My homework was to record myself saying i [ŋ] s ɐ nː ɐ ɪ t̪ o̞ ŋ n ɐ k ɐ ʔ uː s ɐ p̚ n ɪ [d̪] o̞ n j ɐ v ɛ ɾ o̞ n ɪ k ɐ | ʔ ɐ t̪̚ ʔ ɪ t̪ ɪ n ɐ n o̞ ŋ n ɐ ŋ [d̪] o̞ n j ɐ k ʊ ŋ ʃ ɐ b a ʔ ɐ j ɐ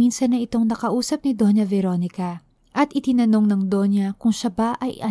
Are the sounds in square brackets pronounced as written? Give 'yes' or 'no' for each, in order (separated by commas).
no, yes, yes